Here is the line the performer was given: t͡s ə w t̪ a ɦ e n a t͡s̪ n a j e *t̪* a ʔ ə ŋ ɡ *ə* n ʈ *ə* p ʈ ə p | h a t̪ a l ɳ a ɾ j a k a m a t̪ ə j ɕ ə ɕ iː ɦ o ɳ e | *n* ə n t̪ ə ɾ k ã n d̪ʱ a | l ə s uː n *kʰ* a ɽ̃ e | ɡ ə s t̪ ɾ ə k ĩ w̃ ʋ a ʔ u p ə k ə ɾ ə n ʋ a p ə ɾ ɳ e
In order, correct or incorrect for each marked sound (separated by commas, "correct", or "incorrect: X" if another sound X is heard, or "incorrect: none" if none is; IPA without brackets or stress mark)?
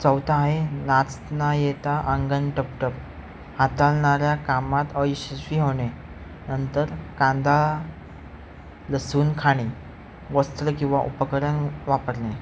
correct, correct, correct, correct, correct